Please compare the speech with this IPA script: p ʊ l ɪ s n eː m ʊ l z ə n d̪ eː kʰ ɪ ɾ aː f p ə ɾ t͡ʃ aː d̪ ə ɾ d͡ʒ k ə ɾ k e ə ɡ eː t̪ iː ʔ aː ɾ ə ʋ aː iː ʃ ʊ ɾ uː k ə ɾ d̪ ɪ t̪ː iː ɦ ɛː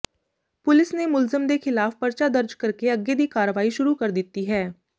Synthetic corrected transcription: p ʊ l ɪ s n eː m ʊ l z ə m d̪ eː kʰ ɪ l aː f p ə ɾ t͡ʃ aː d̪ ə ɾ d͡ʒ k ə ɾ k e ə ɡ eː d̪ iː k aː ɾ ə ʋ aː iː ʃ ʊ ɾ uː k ə ɾ d̪ ɪ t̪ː iː ɦ ɛː